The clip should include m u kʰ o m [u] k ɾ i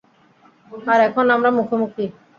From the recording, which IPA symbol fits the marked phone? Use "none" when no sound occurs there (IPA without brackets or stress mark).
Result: u